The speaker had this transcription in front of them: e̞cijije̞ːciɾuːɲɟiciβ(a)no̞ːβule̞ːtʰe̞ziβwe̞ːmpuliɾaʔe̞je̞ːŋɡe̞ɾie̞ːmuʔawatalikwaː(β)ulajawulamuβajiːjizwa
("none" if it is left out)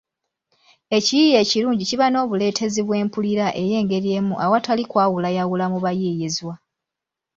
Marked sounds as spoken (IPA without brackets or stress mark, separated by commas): a, w